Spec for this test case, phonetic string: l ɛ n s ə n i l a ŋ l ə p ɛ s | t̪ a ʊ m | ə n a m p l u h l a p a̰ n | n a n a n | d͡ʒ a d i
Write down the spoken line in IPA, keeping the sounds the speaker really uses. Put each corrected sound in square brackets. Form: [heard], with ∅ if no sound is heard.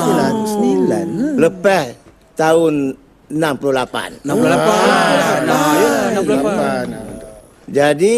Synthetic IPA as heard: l [a] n s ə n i l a [n] l ə p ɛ [h] | t̪ a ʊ [n] | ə n a m p l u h l a p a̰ n | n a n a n | d͡ʒ a d i